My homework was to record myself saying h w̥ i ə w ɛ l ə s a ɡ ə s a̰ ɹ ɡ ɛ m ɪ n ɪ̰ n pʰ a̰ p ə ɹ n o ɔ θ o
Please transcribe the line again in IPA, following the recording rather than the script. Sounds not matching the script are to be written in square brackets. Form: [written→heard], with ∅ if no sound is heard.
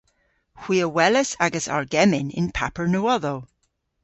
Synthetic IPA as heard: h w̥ i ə w ɛ l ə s a ɡ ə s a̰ ɹ ɡ ɛ m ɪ n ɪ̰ n pʰ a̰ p ə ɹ n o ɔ [θ→ð] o

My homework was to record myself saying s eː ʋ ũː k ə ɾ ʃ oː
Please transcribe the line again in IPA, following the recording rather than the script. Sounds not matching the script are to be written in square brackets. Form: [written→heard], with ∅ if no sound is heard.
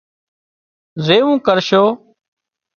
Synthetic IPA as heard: [s→z] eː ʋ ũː k ə ɾ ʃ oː

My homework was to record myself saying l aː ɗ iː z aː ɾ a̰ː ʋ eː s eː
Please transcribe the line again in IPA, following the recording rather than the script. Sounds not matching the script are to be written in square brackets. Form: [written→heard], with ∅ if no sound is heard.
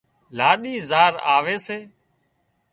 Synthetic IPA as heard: l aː ɗ iː z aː ɾ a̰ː ʋ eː s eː

